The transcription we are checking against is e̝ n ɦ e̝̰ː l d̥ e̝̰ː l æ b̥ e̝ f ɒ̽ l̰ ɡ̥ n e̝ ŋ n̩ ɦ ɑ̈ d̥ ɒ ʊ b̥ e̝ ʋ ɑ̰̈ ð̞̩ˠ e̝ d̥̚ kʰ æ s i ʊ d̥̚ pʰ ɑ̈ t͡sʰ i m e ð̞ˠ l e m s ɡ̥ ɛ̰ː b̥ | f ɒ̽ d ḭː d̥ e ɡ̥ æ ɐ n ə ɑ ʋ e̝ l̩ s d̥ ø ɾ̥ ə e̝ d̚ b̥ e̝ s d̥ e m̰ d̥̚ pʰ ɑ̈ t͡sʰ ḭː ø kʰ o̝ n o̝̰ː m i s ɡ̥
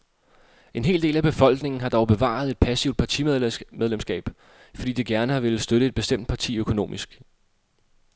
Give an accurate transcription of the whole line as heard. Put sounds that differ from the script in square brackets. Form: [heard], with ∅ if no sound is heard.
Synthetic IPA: e̝ n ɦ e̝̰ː l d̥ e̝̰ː l æ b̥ e̝ f ɒ̽ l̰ ɡ̥ n e̝ ŋ n̩ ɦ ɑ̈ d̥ ɒ ʊ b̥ e̝ ʋ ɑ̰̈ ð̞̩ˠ e̝ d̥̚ [pʰ] æ s i ʊ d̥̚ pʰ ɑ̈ t͡sʰ i m e ð̞ˠ l e m s ɡ̥ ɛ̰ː b̥ | f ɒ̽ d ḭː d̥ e ɡ̥ æ ɐ n ə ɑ ʋ e̝ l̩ s d̥ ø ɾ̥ ə e̝ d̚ b̥ e̝ s d̥ e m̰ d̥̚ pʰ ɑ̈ t͡sʰ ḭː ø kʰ o̝ n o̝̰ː m i s ɡ̥